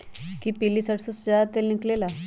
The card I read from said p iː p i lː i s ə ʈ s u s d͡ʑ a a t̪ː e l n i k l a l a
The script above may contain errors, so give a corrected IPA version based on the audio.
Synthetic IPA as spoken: k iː p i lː i s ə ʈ s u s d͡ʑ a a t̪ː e l n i k l e l a